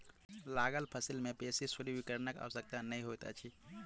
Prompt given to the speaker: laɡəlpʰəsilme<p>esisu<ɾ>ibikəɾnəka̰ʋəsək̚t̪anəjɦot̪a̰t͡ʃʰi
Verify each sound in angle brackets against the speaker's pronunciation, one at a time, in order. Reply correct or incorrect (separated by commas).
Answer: correct, correct